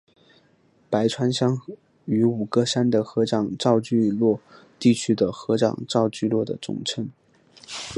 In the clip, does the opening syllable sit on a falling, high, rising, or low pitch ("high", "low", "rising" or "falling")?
rising